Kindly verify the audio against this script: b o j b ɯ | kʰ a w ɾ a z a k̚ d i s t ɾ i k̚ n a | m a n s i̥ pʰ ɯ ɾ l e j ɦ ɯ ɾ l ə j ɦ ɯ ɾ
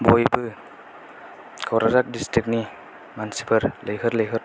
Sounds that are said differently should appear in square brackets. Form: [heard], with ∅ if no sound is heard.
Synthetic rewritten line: b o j b ɯ | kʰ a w ɾ a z a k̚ d i s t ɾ i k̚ n [i] | m a n s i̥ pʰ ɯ ɾ l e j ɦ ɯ ɾ l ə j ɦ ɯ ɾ